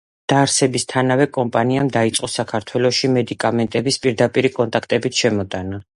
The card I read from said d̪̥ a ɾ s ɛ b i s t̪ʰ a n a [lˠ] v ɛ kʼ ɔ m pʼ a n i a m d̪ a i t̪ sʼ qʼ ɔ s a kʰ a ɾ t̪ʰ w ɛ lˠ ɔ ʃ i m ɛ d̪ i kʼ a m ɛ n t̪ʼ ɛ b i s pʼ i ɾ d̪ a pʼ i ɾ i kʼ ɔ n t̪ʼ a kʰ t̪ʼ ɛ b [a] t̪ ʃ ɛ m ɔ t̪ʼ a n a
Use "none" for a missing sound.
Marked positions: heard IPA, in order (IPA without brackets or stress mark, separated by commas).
none, i